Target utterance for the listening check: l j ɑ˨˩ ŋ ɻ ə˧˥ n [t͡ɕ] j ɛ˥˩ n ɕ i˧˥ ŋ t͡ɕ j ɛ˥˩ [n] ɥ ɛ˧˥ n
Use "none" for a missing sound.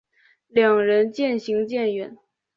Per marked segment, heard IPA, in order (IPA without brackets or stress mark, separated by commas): t͡ɕ, n